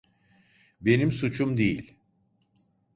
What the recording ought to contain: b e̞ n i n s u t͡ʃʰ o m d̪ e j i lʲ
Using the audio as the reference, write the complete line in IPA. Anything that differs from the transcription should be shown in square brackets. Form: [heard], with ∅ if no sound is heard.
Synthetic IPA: b e̞ n i [m] s u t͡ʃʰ [u] m d̪ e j i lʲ